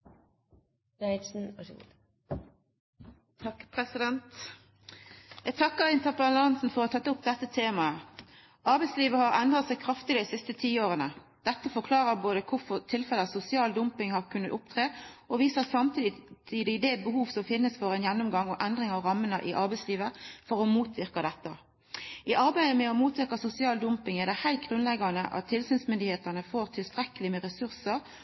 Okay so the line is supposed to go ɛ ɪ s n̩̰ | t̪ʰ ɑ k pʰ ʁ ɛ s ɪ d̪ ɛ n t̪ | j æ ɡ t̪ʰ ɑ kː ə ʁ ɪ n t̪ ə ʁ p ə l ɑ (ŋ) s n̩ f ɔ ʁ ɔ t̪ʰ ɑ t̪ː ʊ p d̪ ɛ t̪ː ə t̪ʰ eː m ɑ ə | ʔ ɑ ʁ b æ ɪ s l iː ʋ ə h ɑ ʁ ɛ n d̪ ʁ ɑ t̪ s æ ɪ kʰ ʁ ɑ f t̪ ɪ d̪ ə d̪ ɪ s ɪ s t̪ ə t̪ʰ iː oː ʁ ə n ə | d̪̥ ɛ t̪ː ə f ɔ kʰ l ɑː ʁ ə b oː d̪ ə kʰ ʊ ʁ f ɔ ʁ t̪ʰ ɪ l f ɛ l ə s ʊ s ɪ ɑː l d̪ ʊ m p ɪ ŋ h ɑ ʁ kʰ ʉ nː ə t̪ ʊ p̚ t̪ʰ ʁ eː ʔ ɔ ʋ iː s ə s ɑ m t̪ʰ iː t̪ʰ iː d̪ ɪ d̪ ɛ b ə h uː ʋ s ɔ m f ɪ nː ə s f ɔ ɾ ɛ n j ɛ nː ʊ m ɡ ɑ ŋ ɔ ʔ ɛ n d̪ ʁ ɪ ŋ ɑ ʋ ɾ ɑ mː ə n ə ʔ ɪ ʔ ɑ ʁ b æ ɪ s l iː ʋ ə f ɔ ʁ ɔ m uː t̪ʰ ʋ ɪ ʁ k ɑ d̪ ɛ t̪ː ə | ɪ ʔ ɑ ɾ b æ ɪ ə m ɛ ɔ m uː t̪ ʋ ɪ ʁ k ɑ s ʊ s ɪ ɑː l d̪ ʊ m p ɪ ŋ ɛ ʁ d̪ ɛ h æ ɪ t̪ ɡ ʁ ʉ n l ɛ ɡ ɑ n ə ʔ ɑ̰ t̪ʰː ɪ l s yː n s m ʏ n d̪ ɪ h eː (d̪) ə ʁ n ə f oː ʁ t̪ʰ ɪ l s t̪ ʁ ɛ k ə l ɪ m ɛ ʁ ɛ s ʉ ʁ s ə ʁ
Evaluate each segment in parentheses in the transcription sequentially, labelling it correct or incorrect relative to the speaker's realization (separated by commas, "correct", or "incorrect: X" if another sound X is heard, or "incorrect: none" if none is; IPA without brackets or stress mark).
incorrect: n, incorrect: t̪